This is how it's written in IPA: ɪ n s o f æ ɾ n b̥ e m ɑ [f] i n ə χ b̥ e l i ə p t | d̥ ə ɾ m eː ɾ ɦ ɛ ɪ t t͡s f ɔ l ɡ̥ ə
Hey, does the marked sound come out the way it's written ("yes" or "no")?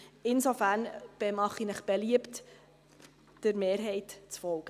no